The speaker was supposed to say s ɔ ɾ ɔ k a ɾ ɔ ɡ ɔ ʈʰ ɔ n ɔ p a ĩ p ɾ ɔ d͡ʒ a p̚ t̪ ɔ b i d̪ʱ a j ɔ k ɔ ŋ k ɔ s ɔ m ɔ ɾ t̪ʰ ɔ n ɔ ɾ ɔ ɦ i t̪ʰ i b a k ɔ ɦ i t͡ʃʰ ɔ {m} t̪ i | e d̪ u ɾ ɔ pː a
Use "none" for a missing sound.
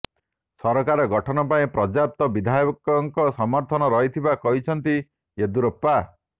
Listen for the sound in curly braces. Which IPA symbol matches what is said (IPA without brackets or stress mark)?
n